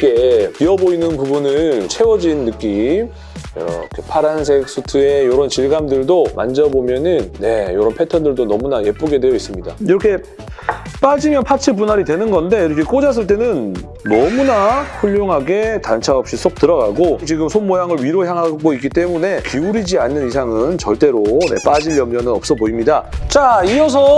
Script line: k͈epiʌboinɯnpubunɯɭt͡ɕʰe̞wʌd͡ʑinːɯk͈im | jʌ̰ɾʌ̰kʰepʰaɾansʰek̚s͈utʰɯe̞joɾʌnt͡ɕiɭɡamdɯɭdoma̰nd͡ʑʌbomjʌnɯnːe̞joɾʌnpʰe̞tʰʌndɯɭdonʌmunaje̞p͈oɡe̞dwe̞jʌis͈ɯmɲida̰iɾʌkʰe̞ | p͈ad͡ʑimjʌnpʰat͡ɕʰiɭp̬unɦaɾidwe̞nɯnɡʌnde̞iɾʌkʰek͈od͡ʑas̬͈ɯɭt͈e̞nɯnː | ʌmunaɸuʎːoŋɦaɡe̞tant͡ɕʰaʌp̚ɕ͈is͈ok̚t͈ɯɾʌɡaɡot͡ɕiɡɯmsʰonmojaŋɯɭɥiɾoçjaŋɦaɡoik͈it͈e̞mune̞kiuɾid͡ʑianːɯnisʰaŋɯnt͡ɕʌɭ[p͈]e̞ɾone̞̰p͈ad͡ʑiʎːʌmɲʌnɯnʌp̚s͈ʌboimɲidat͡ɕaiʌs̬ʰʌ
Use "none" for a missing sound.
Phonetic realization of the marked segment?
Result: t͈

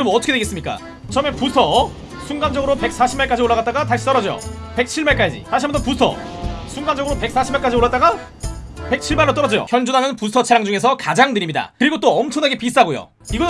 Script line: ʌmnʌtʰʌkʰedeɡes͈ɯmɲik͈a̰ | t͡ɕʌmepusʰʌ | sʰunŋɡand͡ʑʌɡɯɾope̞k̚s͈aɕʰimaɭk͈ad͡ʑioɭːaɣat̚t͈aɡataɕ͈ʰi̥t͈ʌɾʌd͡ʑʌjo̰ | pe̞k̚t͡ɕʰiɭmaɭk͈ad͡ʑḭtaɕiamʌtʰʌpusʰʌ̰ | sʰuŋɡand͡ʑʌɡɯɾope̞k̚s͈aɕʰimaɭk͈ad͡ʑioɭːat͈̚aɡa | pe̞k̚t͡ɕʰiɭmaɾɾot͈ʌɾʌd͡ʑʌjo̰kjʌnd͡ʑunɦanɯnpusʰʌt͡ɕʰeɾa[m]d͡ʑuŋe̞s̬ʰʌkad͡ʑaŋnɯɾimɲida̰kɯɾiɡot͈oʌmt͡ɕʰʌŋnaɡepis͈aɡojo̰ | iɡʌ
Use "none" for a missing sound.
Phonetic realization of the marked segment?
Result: ŋ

